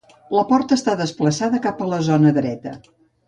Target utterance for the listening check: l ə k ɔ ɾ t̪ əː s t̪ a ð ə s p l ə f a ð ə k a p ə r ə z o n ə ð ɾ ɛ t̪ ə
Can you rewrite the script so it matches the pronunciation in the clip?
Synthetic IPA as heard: l ə p ɔ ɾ t̪ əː s t̪ a ð ə s p l ə s a ð ə k a p ə l ə z o n ə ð ɾ ɛ t̪ ə